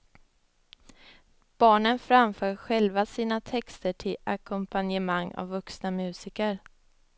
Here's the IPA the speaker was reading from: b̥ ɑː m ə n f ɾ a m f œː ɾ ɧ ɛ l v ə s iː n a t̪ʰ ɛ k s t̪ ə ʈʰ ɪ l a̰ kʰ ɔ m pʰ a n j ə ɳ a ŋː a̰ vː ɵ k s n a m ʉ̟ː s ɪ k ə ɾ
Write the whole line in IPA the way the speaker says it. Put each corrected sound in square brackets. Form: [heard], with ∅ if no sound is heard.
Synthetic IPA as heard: b̥ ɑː [ɳ] ə n f ɾ a m f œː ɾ ɧ ɛ l v [a] s iː n a t̪ʰ ɛ k s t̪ ə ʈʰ ɪ l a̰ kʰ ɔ m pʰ a n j ə [m] a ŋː a̰ vː ɵ k s n a m ʉ̟ː s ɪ k ə ɾ